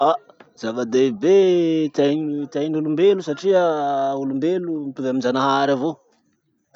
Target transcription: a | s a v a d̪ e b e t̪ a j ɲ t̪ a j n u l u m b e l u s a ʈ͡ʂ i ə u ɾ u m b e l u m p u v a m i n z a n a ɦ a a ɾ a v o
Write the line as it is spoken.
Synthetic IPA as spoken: a | z a v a d̪ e b e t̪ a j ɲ t̪ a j n u l u m b e l u s a ʈ͡ʂ i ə u l u m b e l u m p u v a m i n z a n a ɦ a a ɾ a v o